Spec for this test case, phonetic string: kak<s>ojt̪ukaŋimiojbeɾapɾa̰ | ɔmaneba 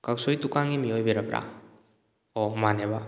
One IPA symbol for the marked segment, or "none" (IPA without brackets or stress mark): s